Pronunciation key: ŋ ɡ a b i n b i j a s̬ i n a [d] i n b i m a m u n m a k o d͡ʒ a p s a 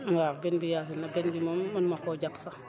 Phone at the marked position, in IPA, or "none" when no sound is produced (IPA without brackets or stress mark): b